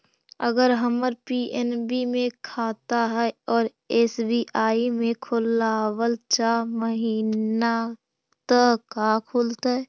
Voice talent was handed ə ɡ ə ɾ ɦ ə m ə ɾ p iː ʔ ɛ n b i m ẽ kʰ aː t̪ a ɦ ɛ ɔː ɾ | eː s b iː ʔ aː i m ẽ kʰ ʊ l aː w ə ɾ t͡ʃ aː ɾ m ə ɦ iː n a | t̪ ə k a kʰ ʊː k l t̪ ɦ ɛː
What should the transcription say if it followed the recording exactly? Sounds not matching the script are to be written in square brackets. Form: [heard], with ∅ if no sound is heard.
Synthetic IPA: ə ɡ ə ɾ ɦ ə m ə ɾ p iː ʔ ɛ n b i m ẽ kʰ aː t̪ a ɦ ɛ ɔː ɾ | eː s b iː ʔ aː i m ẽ kʰ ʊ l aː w ə [l] t͡ʃ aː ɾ m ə ɦ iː n a | t̪ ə k a kʰ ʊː [∅] l t̪ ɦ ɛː